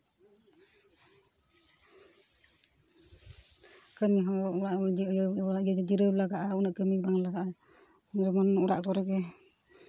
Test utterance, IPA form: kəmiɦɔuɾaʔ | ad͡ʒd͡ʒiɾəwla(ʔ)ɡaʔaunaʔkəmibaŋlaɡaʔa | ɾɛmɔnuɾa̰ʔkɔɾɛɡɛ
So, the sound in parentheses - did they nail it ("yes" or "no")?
no